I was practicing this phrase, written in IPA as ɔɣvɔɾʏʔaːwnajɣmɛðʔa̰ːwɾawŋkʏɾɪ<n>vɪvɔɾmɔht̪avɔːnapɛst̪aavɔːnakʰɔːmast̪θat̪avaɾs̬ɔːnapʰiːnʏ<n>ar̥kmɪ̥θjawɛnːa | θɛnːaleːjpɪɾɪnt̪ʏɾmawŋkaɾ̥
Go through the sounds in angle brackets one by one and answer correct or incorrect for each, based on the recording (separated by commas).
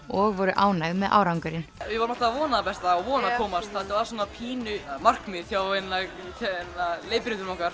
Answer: correct, incorrect